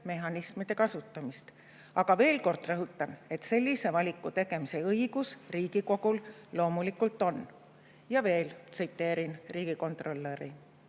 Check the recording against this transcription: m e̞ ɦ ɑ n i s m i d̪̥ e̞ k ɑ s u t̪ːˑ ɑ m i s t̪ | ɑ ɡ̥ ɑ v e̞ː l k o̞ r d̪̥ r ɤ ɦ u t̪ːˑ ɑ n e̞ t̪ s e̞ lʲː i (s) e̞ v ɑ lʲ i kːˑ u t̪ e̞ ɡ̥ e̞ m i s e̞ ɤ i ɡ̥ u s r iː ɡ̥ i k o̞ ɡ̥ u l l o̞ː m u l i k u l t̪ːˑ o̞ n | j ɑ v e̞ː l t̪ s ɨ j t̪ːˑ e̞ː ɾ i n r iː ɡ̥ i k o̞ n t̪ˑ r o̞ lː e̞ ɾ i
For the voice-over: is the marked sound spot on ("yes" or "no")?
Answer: yes